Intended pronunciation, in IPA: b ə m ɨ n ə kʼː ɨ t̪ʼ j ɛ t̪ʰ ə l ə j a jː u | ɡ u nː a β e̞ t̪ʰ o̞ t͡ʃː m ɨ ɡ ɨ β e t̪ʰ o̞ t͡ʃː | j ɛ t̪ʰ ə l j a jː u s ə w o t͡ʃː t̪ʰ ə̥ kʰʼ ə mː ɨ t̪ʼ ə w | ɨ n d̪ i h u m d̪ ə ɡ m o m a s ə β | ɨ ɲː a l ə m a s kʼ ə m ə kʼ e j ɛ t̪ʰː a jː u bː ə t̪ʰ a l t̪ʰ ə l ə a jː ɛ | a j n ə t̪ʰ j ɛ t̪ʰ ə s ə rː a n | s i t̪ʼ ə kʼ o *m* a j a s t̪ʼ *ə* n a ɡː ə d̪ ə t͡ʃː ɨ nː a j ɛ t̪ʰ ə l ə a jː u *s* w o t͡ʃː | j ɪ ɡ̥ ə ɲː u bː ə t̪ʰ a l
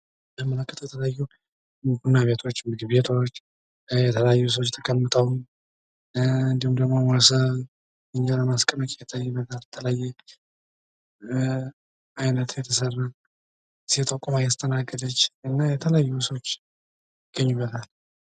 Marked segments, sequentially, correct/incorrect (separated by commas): correct, correct, correct